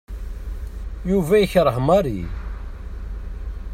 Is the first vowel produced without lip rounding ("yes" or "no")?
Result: no